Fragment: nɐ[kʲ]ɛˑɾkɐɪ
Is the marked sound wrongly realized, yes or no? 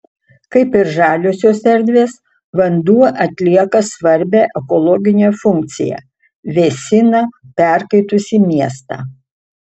yes